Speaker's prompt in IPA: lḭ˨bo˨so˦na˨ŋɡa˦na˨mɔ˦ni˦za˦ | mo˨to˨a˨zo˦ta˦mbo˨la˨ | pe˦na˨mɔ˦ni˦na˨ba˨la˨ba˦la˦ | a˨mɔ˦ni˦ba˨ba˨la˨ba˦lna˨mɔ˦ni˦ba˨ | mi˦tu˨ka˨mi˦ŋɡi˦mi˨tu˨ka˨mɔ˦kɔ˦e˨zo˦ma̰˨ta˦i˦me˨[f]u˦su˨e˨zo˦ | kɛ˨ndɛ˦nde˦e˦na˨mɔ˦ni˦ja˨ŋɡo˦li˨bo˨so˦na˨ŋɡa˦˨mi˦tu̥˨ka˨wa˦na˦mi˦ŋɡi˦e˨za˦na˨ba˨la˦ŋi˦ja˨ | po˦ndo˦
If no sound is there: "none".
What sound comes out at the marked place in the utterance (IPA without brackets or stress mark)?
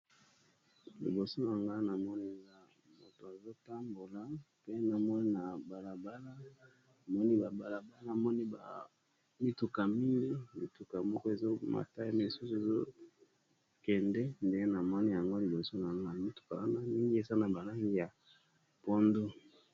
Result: s